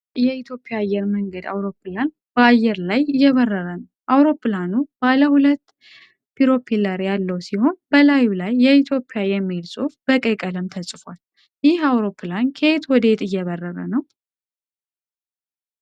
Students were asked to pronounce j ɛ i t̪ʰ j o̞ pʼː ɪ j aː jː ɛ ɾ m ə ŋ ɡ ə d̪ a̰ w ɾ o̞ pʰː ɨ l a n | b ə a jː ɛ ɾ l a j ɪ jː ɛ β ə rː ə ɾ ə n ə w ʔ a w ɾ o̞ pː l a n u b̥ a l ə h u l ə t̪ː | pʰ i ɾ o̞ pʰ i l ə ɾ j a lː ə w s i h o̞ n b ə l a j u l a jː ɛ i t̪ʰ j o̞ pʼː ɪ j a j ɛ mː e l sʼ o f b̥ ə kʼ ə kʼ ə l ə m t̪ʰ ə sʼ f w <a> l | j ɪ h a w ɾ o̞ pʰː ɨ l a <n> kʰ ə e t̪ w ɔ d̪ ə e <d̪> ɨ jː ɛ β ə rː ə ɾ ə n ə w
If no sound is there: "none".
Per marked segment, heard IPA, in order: a, n, t̪

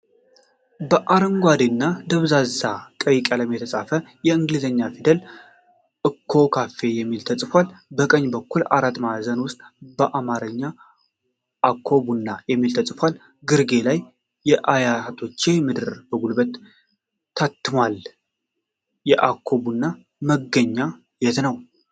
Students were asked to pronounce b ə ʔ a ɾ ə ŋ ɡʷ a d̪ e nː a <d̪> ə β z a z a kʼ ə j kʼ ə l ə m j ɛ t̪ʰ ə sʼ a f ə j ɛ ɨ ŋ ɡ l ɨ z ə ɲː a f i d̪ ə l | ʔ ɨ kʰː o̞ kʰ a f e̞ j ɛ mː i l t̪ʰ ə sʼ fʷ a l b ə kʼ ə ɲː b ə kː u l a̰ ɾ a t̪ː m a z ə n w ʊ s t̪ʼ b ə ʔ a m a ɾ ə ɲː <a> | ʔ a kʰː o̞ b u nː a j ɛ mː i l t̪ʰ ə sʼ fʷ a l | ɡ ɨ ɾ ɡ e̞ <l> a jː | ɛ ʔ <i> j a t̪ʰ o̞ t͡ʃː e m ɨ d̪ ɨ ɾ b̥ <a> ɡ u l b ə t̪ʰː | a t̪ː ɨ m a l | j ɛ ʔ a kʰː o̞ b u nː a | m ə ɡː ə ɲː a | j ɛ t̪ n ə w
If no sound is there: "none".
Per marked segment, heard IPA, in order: d̪, a, l, a, ə

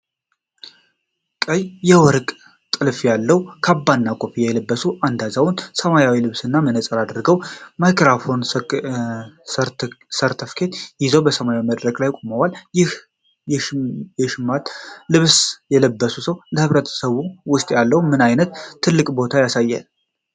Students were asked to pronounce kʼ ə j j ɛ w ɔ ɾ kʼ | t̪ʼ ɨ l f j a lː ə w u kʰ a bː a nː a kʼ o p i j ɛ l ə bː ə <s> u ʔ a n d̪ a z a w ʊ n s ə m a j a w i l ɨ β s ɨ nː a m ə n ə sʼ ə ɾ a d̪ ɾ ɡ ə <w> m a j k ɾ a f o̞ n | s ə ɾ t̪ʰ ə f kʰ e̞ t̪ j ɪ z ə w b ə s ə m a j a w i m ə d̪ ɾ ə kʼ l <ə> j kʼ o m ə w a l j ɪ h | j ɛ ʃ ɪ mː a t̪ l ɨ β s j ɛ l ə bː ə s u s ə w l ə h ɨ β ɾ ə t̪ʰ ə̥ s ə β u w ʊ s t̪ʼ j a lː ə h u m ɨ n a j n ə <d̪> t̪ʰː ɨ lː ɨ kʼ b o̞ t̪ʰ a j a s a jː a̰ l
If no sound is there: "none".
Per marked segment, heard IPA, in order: s, w, a, t̪

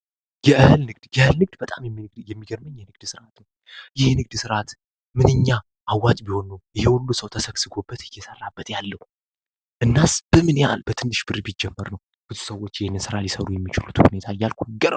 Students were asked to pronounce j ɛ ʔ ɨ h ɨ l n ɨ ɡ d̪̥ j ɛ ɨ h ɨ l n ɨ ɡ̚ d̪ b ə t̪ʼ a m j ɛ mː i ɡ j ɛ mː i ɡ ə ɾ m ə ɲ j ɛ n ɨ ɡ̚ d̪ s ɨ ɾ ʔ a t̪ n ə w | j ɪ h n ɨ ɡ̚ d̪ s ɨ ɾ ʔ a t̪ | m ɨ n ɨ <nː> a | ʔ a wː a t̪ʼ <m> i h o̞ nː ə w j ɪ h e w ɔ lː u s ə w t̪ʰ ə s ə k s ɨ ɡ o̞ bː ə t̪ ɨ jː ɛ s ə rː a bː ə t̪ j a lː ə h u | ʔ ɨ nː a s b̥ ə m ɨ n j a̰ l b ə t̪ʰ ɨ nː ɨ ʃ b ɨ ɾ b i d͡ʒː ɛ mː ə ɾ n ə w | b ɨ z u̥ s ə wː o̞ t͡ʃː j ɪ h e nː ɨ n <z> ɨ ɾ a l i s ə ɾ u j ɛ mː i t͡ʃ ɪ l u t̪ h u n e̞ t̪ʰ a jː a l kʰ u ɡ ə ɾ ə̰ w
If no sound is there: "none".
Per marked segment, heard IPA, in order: ɲː, b, s

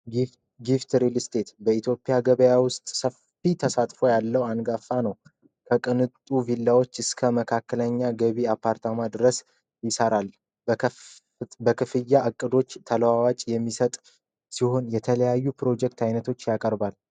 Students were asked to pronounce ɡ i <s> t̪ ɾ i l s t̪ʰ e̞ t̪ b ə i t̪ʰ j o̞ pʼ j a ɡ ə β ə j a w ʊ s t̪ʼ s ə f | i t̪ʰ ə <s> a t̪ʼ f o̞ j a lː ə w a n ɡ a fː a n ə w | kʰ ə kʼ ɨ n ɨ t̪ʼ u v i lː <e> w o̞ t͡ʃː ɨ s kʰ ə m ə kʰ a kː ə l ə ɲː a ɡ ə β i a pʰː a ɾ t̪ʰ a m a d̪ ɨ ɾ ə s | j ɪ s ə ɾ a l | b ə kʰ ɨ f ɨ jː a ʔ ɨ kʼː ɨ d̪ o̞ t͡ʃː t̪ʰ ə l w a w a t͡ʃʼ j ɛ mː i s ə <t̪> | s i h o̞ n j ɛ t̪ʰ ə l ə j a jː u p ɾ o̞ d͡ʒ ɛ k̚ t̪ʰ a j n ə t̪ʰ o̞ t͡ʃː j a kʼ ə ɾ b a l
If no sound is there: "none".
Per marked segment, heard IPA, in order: f, s, a, t̪ʼ

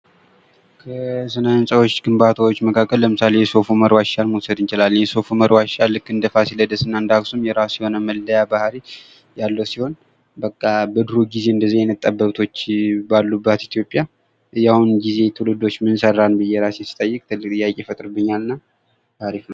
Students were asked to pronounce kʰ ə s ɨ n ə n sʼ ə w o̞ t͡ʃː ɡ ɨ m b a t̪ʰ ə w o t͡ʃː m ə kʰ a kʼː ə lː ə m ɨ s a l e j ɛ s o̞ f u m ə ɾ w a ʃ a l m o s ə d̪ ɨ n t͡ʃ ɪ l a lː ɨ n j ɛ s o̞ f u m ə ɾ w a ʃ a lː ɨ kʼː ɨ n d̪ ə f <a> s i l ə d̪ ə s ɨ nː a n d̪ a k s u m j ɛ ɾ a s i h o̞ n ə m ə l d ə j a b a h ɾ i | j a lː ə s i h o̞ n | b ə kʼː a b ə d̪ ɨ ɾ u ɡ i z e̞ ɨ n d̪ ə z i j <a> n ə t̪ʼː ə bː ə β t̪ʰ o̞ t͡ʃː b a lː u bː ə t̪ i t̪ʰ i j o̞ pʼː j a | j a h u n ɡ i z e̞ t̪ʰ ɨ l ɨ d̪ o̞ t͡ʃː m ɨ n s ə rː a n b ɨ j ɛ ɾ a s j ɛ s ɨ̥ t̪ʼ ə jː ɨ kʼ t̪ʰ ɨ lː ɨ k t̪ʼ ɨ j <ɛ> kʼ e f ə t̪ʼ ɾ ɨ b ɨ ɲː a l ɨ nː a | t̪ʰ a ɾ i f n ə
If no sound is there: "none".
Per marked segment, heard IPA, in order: a, ɛ, a

